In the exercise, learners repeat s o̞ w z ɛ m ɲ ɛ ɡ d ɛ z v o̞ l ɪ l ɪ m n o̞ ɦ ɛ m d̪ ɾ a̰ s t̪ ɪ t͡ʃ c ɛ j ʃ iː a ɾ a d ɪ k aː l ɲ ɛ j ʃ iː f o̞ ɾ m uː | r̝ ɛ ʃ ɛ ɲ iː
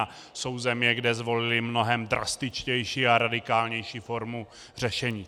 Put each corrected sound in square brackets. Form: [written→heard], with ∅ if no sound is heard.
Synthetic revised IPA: s o̞ w z ɛ m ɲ ɛ ɡ d ɛ z v o̞ l ɪ l ɪ m n o̞ ɦ ɛ m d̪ ɾ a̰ s t̪ ɪ t͡ʃ c ɛ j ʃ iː a ɾ a d ɪ k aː l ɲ ɛ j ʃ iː f o̞ ɾ m [uː→u] | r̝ ɛ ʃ ɛ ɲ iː